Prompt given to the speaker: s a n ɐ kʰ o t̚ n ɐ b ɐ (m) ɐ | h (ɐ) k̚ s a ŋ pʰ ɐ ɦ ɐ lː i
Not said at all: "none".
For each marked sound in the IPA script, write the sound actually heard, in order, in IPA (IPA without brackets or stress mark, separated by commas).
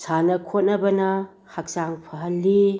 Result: n, a